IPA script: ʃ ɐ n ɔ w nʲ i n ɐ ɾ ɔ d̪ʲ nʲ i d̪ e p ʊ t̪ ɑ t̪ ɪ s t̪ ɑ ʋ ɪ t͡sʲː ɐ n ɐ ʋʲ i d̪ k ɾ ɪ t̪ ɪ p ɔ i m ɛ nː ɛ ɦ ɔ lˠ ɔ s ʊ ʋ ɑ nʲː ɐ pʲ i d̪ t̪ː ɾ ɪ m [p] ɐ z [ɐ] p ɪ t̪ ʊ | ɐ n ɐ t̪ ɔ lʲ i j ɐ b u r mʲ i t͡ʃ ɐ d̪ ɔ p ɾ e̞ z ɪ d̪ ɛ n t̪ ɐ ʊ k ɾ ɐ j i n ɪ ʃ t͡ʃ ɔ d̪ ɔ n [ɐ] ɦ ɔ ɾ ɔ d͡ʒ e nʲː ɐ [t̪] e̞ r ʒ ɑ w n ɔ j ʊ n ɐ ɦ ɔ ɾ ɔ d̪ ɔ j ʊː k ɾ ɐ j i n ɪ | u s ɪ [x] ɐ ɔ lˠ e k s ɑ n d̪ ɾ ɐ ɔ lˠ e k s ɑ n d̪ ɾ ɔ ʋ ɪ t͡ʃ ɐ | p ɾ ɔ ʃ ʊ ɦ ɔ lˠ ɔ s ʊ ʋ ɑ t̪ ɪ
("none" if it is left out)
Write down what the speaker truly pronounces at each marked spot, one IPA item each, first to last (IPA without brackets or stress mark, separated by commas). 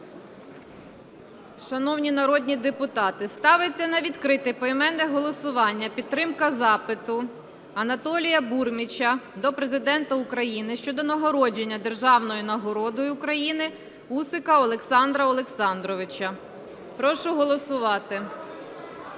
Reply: k, ɑ, ɐ, d̪, k